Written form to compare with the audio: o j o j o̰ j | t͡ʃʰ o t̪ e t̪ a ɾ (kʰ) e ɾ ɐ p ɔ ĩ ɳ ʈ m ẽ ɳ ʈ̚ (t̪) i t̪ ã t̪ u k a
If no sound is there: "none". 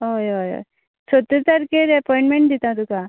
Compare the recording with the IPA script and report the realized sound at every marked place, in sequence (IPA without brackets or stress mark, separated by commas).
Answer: k, d̪